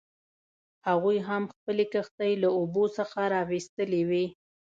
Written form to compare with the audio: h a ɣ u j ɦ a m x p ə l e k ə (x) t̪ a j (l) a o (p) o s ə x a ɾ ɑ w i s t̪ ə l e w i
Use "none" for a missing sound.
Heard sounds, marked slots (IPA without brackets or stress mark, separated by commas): x, l, b